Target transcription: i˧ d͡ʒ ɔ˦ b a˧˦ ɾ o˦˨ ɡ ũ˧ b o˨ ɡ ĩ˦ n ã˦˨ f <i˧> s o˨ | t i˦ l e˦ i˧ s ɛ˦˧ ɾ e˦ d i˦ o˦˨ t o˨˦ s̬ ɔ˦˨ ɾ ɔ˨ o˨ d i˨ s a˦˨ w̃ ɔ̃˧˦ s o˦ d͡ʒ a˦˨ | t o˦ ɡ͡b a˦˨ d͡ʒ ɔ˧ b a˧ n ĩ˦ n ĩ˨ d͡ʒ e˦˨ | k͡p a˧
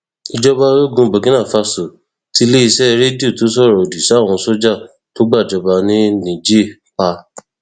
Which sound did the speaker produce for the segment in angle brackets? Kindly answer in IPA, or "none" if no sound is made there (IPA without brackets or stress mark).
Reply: a˧